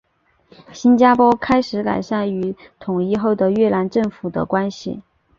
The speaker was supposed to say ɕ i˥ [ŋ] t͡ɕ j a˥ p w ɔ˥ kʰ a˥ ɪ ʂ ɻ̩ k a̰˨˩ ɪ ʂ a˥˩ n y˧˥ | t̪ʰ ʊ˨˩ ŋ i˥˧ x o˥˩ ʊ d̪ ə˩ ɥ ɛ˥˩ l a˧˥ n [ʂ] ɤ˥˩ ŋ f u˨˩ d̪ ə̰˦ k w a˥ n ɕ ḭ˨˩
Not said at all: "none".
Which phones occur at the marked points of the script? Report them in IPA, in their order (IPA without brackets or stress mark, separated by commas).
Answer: n, ʈ͡ʂ